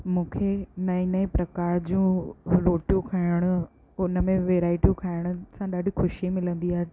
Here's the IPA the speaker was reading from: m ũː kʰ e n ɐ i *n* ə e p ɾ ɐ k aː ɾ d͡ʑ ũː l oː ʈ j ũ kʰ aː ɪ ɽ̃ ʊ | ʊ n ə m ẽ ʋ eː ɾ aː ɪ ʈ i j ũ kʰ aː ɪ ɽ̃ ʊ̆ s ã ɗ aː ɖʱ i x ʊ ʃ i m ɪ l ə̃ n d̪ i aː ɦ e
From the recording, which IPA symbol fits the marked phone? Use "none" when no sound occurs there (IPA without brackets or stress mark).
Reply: n